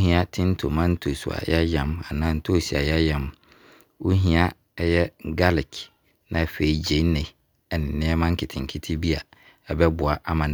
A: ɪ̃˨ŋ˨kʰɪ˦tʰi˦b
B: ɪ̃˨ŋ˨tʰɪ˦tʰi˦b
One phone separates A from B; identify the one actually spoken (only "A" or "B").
A